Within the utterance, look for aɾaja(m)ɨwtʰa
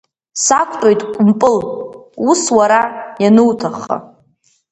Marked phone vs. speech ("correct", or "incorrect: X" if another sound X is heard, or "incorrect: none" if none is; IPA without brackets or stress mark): incorrect: n